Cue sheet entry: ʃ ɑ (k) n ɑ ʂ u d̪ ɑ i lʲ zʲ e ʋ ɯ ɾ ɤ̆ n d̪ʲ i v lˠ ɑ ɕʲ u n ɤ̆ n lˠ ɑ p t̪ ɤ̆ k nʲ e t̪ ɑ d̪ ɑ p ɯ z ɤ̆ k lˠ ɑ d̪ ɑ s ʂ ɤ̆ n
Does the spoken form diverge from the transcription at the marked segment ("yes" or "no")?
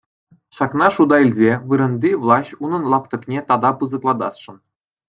no